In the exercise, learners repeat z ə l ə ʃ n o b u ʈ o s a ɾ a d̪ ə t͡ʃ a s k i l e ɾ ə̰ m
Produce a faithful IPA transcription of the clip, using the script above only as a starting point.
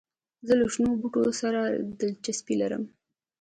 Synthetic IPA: z ə l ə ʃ n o b u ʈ o s a ɾ a d̪ ə t͡ʃ a s p i l a ɾ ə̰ m